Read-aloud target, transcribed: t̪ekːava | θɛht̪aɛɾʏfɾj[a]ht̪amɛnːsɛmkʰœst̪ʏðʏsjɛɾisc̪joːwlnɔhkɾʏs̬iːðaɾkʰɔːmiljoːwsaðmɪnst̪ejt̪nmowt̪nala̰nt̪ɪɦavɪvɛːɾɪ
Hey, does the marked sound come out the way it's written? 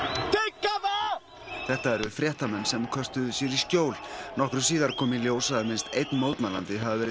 no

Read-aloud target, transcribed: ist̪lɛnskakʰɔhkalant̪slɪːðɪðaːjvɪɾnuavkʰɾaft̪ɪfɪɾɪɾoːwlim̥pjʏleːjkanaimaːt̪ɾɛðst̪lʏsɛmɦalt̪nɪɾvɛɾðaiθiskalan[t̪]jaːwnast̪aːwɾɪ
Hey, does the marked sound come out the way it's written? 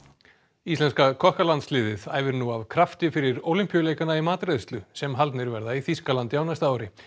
yes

